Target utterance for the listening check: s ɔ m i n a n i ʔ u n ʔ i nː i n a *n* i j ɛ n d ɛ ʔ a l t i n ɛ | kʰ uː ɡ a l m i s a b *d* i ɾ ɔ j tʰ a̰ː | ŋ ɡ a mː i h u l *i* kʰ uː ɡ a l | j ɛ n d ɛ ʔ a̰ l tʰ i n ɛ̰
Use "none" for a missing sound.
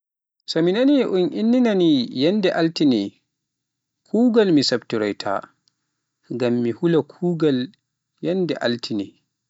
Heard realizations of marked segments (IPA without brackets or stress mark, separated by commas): n, t, a